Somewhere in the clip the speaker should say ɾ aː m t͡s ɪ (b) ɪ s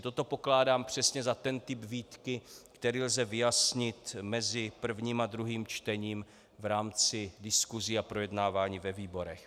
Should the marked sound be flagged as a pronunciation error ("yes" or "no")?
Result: yes